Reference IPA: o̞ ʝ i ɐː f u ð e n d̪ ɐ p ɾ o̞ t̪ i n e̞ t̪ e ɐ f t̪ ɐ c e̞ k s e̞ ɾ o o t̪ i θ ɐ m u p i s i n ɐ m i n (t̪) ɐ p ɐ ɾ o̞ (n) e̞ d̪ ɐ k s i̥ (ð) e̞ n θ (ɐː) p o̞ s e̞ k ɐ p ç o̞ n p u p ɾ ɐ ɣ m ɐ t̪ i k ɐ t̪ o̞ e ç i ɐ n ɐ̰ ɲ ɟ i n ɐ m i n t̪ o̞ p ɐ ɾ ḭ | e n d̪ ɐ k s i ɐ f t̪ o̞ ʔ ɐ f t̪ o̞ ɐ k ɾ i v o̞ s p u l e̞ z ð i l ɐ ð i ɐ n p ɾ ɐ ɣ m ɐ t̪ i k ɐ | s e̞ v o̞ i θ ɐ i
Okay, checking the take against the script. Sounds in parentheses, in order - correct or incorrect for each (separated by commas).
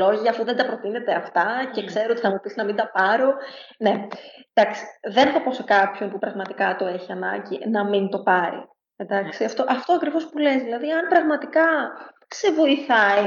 incorrect, correct, correct, incorrect